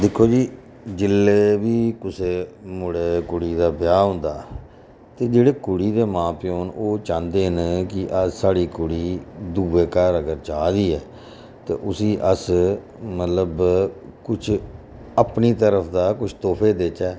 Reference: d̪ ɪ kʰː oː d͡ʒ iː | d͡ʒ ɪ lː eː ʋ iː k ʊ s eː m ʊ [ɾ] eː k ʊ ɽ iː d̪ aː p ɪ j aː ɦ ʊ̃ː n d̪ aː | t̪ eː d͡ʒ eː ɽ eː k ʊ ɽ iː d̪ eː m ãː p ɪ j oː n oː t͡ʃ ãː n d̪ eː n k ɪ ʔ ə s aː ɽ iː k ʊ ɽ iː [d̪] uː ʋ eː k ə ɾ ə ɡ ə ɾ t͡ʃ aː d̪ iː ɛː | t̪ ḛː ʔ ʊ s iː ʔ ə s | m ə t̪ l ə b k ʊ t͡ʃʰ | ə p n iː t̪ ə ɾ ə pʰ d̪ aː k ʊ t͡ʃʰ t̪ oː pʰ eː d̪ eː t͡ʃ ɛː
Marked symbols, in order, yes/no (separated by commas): no, yes